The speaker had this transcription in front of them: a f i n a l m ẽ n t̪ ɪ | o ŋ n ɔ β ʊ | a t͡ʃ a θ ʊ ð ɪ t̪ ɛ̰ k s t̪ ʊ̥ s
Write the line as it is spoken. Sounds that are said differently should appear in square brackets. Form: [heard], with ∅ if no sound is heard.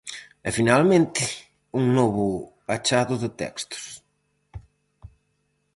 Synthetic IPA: [ɛ] f i n a l m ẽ n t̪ ɪ | [u] ŋ n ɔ β ʊ | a t͡ʃ a [ð] ʊ ð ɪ t̪ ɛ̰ k s t̪ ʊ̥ s